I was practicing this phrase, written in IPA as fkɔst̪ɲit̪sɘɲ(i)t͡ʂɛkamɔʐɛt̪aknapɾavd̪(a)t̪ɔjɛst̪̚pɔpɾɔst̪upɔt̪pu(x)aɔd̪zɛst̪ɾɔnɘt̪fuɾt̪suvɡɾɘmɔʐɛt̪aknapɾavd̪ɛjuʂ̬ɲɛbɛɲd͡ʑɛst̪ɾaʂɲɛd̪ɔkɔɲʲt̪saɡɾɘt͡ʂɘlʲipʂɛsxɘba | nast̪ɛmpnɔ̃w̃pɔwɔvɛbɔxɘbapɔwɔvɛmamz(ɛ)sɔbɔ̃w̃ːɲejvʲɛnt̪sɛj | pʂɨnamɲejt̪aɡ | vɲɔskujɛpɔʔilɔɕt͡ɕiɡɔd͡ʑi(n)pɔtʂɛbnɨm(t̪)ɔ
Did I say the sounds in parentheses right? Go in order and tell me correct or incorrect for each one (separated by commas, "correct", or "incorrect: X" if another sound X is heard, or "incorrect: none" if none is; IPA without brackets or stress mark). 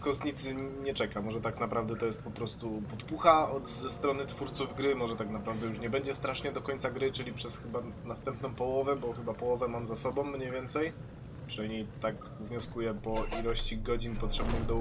incorrect: ɛ, incorrect: ɛ, correct, incorrect: a, correct, incorrect: d̪